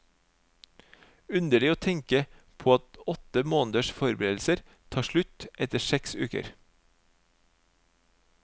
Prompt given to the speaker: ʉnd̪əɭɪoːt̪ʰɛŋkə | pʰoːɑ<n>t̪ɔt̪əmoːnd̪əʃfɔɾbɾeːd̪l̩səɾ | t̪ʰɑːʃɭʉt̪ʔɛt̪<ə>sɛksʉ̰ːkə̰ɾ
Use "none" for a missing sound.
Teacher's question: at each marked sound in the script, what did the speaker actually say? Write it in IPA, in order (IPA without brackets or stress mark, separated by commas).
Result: none, ə